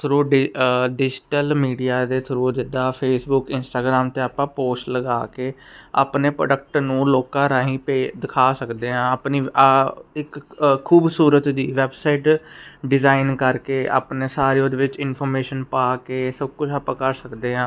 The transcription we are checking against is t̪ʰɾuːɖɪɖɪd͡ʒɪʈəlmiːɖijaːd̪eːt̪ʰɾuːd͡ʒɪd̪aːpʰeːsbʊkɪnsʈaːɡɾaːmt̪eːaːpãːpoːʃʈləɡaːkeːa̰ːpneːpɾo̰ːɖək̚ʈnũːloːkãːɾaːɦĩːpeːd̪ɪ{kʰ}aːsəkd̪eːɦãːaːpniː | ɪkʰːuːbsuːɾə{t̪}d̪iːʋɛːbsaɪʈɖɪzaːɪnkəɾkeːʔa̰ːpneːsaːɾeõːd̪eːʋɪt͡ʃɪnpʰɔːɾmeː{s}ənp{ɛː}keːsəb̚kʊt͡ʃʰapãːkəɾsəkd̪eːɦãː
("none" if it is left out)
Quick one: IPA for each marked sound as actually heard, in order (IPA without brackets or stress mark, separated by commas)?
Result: kʰ, t̪, ʃ, aː